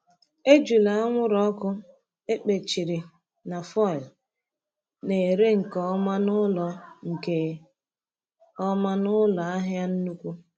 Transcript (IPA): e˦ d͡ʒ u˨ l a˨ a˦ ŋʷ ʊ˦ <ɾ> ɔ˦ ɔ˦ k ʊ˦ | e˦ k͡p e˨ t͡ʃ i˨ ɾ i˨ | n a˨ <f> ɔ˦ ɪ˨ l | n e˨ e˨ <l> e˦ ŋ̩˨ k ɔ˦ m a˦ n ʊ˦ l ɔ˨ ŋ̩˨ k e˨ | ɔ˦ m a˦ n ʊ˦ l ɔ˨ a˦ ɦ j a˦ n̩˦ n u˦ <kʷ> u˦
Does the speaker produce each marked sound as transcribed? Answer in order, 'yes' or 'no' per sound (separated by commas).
yes, yes, no, yes